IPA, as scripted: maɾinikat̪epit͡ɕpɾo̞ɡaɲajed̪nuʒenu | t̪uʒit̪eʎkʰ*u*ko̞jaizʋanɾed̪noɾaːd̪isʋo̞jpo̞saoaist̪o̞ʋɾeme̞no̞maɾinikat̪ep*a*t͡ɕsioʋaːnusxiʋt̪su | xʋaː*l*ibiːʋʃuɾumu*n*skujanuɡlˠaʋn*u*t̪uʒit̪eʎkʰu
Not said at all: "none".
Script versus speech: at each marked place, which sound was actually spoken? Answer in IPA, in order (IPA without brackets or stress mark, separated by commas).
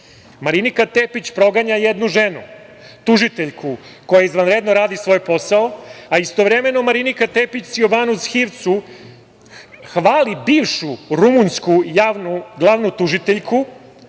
u, i, l, n, u